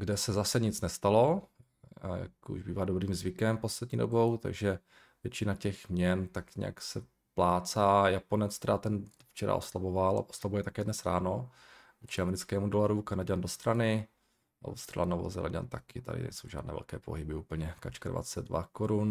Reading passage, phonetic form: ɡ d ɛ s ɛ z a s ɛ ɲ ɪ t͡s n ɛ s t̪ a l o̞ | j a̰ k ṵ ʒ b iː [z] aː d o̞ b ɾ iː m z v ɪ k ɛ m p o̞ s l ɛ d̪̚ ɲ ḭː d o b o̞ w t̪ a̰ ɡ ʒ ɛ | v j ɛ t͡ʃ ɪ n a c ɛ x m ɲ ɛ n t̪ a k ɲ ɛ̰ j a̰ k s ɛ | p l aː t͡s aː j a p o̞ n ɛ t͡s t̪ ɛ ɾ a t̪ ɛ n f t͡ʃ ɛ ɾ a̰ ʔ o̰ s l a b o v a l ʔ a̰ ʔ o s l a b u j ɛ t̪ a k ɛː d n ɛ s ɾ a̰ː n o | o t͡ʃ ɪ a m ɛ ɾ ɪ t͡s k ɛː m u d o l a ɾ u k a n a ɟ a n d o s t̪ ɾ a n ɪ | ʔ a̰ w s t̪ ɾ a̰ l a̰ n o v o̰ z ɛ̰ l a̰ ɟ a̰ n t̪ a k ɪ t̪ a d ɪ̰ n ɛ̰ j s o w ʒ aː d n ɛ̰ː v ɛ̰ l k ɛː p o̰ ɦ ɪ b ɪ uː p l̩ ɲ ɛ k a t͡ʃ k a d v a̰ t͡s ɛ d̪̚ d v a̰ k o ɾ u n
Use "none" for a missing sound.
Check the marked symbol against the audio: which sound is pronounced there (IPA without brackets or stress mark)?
v